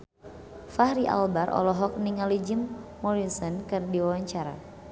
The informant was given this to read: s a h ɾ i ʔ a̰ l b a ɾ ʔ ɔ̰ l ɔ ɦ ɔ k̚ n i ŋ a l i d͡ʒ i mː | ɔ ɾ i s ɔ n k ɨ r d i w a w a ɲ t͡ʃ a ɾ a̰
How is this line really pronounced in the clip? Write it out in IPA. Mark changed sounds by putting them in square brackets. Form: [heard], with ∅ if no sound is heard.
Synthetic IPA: [f] a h ɾ i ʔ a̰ l b a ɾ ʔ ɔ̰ l ɔ ɦ ɔ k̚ n i ŋ a l i d͡ʒ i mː | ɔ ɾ i s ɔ n k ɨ r d i w a w a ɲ t͡ʃ a ɾ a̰